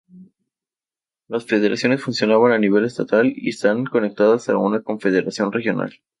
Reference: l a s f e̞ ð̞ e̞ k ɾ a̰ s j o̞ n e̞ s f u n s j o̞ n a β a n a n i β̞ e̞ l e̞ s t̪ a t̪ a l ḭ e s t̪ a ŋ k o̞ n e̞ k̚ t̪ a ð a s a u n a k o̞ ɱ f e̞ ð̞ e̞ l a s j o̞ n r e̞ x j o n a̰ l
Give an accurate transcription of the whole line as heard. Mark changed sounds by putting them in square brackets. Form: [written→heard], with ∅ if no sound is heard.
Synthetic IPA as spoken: l a s f e̞ ð̞ e̞ [k→∅] ɾ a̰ s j o̞ n e̞ s f u n s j o̞ n a β a n a n i β̞ e̞ l e̞ s t̪ a t̪ a l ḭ e s t̪ a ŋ k o̞ n e̞ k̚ t̪ a ð a s a u n a k o̞ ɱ f e̞ ð̞ e̞ [l→ɾ] a s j o̞ n r e̞ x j o n a̰ l